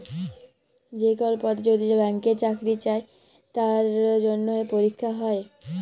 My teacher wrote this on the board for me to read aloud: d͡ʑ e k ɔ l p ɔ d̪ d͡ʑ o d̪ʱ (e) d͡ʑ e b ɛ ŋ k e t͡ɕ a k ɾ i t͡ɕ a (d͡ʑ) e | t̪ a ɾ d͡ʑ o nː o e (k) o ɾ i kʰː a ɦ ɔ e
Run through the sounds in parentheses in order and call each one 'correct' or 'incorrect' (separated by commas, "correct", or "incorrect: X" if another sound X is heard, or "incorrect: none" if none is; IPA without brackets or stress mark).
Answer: incorrect: i, incorrect: none, incorrect: p